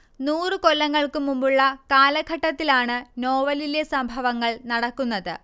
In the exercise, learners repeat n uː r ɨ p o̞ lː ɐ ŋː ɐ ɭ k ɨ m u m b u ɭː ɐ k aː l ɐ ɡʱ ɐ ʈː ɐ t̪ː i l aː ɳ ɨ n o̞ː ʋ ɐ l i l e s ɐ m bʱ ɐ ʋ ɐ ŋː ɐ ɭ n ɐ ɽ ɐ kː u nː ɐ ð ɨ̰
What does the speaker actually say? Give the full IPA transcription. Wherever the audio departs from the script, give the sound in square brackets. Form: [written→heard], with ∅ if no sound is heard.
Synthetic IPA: n uː r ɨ [p→k] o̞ lː ɐ ŋː ɐ ɭ k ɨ m u m b u ɭː ɐ k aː l ɐ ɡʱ ɐ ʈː ɐ t̪ː i l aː ɳ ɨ n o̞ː ʋ ɐ l i l e s ɐ m bʱ ɐ ʋ ɐ ŋː ɐ ɭ n ɐ ɽ ɐ kː u nː ɐ ð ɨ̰